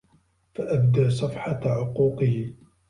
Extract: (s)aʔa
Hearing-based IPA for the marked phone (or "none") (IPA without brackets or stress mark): f